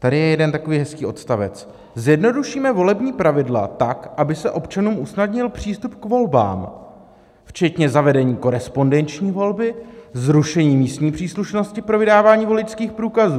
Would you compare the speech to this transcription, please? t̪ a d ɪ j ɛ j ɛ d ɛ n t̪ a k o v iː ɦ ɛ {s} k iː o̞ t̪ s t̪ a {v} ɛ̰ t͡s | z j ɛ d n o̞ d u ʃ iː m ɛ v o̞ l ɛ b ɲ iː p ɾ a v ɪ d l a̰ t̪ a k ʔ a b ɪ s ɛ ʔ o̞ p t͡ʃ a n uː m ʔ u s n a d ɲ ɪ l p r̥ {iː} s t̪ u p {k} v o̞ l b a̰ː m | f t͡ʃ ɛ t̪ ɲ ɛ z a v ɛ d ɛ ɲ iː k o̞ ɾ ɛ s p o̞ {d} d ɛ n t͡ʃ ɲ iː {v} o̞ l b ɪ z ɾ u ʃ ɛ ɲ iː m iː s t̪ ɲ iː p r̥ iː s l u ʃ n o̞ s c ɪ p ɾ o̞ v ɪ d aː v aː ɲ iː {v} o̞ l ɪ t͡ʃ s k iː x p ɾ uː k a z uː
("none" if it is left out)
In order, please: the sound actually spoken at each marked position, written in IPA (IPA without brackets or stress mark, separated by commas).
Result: s, v, iː, k, n, v, v